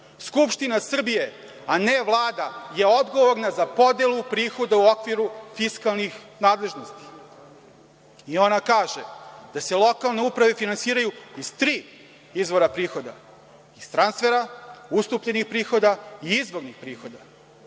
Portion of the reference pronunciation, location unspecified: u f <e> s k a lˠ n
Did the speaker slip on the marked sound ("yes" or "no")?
yes